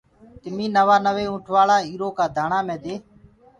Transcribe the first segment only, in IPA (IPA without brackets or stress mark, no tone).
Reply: t̪